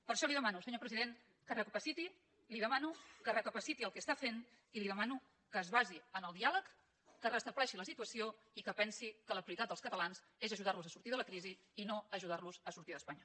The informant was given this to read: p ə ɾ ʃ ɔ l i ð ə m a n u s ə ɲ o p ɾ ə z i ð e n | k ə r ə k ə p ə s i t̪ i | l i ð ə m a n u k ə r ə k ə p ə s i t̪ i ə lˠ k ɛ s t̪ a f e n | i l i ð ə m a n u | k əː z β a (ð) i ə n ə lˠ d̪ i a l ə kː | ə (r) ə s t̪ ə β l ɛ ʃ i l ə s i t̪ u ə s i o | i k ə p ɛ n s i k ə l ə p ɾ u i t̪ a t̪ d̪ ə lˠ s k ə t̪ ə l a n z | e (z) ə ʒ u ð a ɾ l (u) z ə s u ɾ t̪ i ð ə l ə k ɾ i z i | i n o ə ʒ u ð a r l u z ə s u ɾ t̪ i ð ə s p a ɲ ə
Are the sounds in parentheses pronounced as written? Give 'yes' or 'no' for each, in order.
no, yes, yes, yes

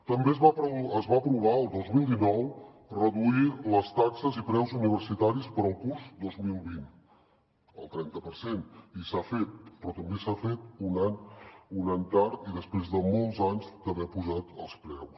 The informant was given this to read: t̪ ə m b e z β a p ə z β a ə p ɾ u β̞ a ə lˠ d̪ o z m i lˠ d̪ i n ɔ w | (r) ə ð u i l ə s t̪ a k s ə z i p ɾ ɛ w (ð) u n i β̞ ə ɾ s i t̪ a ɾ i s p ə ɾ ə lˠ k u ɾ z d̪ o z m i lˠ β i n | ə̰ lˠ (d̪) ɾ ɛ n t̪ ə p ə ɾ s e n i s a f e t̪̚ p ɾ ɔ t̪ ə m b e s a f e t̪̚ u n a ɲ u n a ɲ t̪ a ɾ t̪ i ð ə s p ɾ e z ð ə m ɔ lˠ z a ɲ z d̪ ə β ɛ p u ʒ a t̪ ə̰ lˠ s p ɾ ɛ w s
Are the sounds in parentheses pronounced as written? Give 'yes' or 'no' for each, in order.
yes, no, no

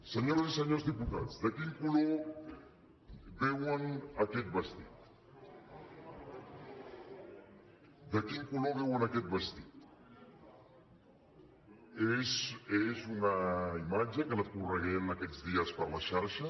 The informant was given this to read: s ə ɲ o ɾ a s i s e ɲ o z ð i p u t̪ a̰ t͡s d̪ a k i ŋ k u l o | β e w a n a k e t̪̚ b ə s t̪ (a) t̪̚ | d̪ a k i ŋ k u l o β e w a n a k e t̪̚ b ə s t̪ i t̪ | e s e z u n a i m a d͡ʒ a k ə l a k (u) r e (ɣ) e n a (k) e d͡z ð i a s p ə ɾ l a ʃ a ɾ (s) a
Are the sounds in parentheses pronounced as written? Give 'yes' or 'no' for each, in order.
no, yes, yes, yes, no

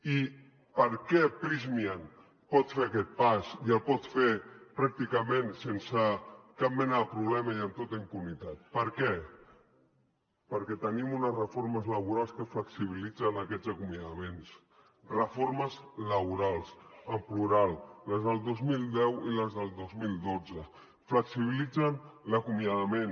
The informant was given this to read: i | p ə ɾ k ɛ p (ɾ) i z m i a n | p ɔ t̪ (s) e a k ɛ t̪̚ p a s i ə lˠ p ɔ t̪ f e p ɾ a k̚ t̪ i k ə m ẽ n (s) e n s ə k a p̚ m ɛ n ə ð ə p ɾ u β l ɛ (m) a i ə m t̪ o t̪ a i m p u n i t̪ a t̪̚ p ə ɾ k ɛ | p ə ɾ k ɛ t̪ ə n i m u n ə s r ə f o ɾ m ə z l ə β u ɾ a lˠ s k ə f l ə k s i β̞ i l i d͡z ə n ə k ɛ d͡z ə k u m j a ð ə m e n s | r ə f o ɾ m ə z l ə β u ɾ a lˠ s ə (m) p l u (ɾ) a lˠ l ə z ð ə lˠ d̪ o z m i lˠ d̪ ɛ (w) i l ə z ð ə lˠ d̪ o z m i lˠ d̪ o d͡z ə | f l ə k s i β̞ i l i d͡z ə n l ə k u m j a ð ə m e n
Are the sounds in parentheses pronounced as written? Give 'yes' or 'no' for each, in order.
yes, no, yes, yes, yes, yes, yes

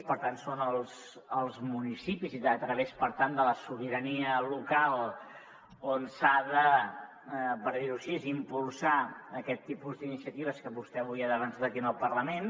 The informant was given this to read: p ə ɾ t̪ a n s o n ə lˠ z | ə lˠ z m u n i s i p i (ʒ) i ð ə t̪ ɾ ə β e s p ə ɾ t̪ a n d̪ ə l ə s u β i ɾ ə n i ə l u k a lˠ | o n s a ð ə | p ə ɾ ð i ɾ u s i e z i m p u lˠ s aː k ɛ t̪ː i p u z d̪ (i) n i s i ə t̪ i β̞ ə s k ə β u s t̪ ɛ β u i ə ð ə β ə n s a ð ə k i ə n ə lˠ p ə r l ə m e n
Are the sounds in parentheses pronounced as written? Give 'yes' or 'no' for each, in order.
no, yes

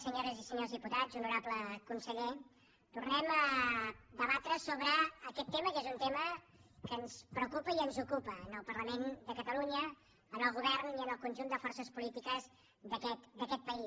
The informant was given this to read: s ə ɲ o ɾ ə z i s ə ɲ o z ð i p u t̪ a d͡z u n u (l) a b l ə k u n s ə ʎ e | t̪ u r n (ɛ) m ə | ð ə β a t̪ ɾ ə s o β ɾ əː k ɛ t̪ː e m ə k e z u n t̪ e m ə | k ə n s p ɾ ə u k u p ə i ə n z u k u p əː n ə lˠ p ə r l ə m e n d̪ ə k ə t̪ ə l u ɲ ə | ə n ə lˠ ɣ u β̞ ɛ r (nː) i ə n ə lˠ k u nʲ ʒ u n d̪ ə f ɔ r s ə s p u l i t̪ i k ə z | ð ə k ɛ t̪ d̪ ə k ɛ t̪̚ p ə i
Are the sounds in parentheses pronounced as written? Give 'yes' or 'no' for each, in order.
no, yes, no

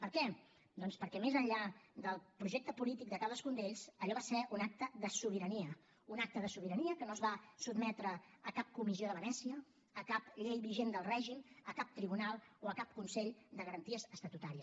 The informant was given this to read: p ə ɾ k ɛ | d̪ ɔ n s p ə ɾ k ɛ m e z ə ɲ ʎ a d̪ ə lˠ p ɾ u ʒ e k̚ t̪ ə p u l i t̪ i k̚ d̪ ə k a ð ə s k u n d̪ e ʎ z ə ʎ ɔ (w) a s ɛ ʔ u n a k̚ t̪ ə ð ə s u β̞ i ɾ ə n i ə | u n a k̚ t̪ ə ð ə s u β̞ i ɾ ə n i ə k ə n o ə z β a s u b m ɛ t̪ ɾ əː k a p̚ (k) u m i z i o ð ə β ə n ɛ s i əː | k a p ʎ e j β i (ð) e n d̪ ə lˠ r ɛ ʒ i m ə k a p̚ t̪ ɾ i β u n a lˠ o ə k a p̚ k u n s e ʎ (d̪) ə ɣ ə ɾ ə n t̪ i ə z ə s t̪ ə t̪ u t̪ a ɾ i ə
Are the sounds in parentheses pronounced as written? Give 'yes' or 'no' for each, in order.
no, yes, no, yes

